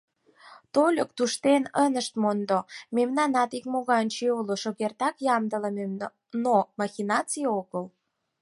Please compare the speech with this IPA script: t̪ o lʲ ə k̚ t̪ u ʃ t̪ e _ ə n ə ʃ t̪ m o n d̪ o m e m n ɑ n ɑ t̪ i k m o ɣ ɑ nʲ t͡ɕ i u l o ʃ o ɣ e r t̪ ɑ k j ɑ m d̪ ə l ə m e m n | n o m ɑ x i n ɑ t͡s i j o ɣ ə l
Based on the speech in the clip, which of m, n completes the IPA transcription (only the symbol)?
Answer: n